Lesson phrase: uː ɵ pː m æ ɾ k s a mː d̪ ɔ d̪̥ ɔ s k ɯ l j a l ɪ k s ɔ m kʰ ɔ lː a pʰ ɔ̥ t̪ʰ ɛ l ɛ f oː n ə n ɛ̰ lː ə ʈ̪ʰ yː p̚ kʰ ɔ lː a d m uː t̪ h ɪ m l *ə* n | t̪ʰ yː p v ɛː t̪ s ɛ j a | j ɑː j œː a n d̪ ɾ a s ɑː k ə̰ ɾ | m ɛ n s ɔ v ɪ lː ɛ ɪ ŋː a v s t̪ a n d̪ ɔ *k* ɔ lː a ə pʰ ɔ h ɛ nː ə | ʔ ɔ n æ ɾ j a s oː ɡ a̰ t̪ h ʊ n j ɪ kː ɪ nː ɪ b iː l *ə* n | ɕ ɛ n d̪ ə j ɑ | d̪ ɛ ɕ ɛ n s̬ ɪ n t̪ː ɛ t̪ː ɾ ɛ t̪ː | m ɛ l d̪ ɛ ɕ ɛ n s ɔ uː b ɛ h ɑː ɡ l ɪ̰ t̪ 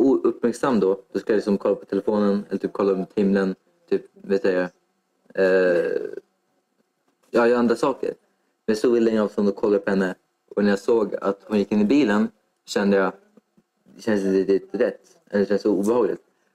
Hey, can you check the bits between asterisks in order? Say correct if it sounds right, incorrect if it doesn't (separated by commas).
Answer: correct, incorrect, correct